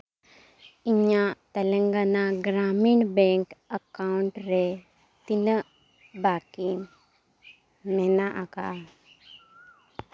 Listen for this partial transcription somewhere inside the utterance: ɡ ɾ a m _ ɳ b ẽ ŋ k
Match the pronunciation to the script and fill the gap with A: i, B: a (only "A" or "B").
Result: A